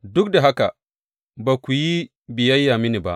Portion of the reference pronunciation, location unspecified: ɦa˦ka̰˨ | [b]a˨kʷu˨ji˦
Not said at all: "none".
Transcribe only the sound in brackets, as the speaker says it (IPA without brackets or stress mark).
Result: b